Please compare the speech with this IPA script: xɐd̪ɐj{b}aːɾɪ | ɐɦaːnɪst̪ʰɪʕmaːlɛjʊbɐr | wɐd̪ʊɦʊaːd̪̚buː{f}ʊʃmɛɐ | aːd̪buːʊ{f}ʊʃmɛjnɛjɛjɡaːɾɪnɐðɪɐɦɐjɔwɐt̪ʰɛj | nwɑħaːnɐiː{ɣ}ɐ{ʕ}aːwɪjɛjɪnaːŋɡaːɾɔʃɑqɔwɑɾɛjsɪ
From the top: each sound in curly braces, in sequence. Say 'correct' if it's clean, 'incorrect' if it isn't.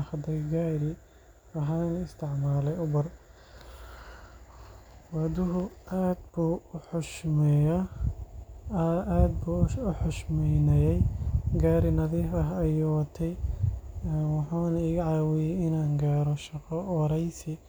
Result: incorrect: ɡ, incorrect: ħ, incorrect: ħ, correct, correct

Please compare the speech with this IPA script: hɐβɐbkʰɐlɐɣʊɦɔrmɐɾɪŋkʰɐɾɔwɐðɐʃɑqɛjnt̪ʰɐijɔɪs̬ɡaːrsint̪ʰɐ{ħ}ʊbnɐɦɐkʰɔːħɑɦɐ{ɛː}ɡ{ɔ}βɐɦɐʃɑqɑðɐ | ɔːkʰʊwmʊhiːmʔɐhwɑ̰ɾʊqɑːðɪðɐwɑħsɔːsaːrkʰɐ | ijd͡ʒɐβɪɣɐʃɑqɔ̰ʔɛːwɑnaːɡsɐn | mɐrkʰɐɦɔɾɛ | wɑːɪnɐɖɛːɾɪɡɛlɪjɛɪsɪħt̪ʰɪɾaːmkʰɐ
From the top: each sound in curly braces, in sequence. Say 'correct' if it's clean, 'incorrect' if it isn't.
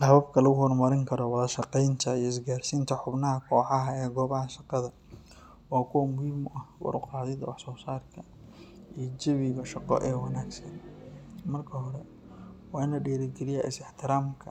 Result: correct, correct, incorrect: ɔː

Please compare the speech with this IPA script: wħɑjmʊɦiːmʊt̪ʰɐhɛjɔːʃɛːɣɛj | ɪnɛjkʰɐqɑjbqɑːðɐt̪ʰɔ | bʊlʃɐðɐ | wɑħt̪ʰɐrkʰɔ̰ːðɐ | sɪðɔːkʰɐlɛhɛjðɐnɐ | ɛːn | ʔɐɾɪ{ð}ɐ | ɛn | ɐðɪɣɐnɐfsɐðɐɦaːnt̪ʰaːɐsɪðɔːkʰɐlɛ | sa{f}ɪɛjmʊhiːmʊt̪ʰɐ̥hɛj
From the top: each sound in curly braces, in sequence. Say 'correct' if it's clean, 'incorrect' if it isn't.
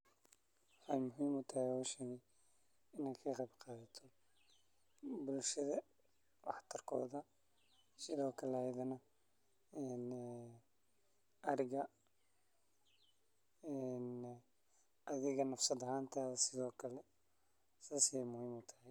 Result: incorrect: ɣ, incorrect: s

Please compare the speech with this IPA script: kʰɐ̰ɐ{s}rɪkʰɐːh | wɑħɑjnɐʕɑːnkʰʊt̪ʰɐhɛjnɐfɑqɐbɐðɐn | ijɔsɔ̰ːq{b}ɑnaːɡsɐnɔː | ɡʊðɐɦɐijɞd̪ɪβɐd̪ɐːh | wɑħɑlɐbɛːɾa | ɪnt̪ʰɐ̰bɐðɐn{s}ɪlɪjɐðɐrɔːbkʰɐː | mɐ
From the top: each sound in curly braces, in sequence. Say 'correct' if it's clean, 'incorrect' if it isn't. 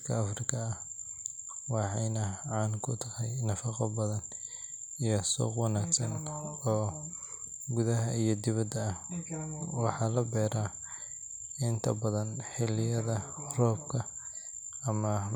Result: incorrect: f, incorrect: w, incorrect: ħ

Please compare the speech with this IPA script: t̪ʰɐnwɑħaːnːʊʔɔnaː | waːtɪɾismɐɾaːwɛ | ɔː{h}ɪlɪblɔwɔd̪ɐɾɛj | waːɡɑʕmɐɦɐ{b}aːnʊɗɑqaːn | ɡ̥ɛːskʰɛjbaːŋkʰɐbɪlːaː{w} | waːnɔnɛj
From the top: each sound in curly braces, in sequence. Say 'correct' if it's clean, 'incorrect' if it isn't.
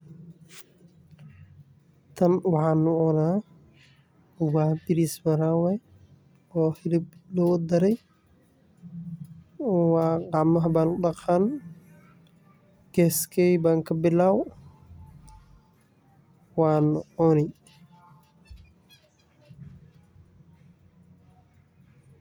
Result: correct, correct, correct

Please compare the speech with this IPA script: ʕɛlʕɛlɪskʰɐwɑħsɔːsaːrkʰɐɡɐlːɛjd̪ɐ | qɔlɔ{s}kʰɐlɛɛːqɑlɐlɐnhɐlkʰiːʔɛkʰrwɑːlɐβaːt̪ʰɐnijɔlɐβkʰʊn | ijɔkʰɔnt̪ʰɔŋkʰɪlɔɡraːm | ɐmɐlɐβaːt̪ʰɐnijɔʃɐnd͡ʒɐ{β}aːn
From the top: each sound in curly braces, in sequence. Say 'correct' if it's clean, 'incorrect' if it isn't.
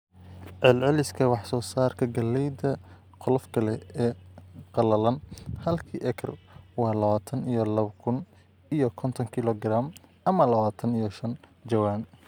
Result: incorrect: f, incorrect: w

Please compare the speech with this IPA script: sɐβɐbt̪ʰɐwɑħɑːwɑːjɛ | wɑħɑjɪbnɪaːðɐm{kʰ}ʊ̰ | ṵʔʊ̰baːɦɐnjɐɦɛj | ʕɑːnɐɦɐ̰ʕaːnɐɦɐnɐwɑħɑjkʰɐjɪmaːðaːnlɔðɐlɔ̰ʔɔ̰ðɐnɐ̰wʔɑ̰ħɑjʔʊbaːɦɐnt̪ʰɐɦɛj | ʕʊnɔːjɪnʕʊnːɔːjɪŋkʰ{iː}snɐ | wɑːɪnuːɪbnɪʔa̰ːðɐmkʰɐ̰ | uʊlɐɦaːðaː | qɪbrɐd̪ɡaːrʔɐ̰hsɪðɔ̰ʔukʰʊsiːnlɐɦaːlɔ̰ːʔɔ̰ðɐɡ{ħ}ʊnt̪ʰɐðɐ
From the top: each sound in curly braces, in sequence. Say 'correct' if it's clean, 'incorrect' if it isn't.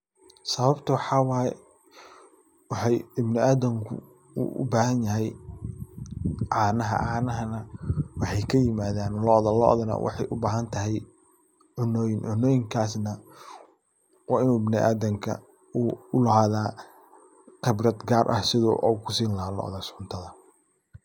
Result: correct, incorrect: aː, incorrect: s

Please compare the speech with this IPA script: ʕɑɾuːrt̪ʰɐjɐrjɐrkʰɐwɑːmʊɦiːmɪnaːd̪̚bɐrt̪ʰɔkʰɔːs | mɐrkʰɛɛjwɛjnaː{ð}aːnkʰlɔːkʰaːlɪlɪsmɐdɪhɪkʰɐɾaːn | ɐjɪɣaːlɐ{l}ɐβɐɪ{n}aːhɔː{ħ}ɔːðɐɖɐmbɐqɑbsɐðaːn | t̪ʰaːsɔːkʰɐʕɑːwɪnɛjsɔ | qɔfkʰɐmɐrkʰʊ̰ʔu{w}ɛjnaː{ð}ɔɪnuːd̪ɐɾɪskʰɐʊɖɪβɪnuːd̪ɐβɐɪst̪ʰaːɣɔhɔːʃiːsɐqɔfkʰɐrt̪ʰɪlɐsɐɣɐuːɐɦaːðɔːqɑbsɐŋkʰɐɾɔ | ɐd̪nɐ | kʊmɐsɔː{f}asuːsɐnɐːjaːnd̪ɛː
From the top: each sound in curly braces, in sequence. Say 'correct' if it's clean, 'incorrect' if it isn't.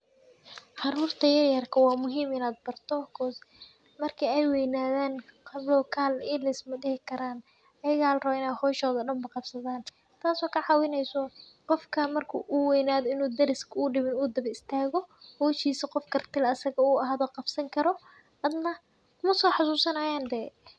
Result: correct, incorrect: r, correct, incorrect: ʃ, correct, correct, incorrect: ħ

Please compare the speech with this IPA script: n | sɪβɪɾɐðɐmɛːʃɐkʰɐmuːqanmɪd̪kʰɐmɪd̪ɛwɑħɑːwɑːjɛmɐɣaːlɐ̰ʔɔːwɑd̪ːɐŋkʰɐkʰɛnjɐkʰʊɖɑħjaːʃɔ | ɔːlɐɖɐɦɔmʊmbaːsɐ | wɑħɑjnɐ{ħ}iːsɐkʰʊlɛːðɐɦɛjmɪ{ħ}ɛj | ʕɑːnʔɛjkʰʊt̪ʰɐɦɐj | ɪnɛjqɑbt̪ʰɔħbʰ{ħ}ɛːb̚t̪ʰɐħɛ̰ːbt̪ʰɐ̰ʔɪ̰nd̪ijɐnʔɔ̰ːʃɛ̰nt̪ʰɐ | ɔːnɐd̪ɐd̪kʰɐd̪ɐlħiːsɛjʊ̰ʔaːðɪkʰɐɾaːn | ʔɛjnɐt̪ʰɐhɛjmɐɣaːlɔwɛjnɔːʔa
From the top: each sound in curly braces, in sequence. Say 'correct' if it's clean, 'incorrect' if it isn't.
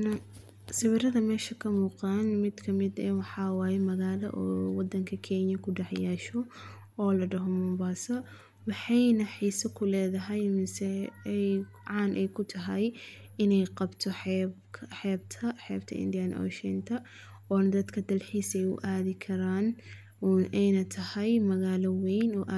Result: correct, incorrect: s, correct

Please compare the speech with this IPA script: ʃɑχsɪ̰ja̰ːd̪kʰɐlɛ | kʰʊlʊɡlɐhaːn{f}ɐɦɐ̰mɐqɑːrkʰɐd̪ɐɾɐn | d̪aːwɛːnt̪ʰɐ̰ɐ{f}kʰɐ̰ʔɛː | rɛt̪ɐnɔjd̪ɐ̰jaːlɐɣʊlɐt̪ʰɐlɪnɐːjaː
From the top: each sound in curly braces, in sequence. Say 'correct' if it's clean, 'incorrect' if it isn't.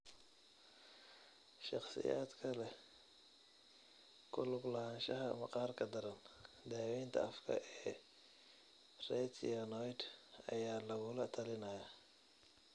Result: incorrect: ʃ, correct

